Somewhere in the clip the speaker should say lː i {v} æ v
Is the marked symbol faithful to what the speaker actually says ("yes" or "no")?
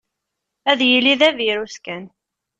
no